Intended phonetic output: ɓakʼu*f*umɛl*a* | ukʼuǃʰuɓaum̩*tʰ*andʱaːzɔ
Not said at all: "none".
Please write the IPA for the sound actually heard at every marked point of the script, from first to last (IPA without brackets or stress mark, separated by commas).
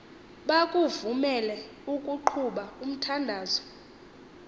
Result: v, ɛ, tʰ